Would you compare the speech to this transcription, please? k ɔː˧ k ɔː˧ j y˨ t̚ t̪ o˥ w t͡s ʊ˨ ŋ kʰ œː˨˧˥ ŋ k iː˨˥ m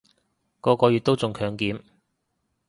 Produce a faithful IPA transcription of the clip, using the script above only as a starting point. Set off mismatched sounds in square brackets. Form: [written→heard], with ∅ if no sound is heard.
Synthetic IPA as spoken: k ɔː˧ k ɔː˧ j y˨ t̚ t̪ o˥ w t͡s ʊ˨ ŋ kʰ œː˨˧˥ ŋ k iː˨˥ m